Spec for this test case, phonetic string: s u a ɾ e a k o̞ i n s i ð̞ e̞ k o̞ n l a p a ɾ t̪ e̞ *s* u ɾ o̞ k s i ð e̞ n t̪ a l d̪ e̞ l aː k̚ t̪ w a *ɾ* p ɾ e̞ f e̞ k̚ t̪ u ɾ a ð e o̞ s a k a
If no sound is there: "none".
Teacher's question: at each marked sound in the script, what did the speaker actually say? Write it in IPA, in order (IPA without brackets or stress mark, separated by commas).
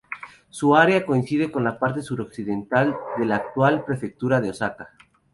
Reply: s, l